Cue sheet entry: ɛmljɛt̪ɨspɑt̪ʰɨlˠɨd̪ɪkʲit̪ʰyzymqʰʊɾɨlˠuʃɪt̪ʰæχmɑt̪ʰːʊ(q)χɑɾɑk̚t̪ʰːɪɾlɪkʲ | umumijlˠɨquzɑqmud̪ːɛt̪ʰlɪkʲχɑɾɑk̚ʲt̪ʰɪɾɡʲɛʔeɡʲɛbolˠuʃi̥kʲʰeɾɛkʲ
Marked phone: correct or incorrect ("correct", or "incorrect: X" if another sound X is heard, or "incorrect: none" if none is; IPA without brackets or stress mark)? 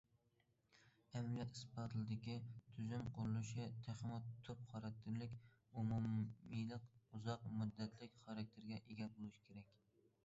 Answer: incorrect: p